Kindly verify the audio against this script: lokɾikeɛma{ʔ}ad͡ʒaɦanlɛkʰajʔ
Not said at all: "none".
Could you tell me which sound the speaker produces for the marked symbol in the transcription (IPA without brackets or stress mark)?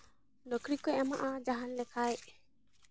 ʔ